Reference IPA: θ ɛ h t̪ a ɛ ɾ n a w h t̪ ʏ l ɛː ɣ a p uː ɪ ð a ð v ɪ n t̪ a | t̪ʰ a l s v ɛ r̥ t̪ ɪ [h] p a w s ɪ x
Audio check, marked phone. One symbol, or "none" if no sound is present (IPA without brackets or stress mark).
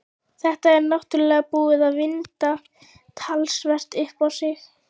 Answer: h